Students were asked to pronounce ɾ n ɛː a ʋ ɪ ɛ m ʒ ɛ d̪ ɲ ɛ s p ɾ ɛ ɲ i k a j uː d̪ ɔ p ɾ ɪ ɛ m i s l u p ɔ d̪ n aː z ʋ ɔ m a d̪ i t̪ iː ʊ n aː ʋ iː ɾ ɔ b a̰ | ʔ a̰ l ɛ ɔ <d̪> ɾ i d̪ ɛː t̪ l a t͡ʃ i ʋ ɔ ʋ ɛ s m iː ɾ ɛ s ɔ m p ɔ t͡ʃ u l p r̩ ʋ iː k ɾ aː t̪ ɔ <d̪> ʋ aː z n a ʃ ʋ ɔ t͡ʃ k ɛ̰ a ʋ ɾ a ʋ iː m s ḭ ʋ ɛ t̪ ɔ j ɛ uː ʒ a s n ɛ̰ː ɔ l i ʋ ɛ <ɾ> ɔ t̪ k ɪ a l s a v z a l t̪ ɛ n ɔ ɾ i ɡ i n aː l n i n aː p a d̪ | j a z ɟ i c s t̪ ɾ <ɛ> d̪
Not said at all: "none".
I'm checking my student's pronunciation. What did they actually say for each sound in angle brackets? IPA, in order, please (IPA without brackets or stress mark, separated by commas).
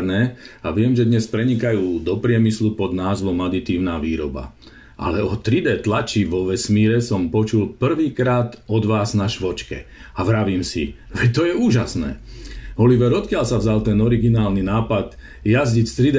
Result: t̪, d̪, ɾ, i